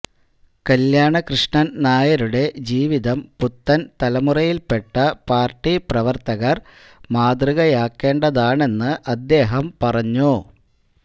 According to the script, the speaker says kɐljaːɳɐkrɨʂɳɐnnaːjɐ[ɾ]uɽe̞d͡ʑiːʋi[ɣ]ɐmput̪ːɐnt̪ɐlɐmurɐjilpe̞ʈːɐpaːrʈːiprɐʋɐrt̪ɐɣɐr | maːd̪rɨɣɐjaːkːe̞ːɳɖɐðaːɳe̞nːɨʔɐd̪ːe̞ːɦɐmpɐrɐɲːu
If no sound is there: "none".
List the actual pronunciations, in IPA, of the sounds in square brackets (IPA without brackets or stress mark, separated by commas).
ɾ, ð